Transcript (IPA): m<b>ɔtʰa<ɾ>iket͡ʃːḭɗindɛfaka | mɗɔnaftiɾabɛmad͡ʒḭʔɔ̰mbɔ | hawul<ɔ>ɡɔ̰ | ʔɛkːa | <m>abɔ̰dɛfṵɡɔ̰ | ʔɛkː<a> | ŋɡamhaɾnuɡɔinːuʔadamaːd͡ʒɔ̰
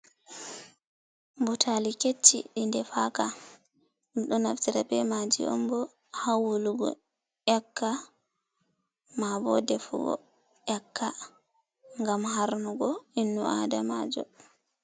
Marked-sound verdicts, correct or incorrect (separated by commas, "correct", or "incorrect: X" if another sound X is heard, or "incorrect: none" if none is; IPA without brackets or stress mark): correct, incorrect: l, incorrect: u, correct, correct